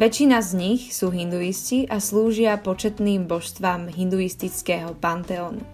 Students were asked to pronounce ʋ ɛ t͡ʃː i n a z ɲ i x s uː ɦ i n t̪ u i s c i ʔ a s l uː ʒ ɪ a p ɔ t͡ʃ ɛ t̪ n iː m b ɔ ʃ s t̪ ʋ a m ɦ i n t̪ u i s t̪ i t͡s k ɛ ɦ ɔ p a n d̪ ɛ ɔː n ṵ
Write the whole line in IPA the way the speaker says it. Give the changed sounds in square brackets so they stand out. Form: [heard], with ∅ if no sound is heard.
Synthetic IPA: ʋ ɛ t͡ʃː i n a z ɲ i x s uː ɦ i n [d̪] u i s c i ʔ a s l uː ʒ ɪ a p ɔ t͡ʃ ɛ t̪ n iː m b ɔ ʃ s t̪ ʋ a m ɦ i n [d̪] u i s t̪ i t͡s k ɛ ɦ ɔ p a n [t̪] ɛ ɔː n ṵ